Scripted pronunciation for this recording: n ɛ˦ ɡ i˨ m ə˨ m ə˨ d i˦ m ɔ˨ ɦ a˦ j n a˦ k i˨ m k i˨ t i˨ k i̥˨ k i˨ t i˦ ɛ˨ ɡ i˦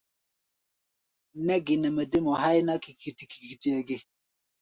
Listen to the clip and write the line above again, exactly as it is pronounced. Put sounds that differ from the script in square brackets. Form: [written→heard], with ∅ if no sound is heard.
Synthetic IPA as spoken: n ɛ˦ ɡ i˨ [m→n] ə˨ m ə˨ d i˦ m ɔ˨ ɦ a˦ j n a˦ k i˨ [m→∅] k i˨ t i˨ k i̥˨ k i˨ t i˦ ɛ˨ ɡ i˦